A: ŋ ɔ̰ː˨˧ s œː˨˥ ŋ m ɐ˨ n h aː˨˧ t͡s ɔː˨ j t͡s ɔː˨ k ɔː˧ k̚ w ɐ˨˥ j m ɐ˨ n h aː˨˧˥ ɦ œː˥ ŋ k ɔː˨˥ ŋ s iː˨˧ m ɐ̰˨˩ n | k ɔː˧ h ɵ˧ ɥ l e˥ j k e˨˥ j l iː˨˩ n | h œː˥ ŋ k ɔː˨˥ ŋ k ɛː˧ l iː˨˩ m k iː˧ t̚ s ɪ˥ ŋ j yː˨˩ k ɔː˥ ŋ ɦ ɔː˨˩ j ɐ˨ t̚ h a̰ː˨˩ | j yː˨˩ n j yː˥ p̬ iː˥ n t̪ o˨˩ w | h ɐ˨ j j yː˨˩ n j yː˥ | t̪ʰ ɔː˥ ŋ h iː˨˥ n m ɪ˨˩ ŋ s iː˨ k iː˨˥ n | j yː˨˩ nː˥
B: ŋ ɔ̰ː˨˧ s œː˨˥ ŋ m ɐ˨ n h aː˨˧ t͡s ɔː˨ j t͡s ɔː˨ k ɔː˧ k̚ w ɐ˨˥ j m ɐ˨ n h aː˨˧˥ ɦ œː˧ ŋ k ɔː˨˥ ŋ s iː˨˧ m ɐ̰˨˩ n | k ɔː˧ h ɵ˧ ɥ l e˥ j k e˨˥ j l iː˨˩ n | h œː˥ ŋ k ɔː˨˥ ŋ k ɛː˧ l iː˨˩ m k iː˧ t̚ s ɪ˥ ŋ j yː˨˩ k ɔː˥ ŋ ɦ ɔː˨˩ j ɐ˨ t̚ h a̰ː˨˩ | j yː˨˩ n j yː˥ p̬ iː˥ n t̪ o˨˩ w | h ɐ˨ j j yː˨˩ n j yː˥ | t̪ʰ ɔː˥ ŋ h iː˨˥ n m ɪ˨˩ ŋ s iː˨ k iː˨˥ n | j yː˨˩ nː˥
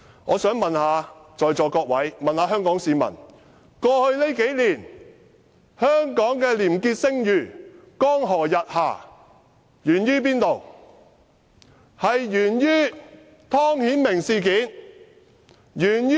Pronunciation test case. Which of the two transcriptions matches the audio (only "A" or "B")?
A